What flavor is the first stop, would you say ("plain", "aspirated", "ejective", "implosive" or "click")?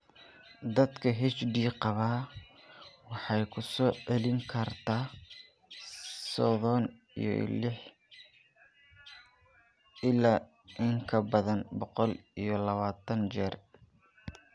plain